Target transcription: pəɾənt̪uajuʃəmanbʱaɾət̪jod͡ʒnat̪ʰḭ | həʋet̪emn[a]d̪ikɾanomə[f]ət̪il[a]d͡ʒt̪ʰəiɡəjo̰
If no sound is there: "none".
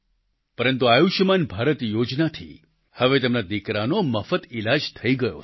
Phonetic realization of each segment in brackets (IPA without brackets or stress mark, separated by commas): a, f, a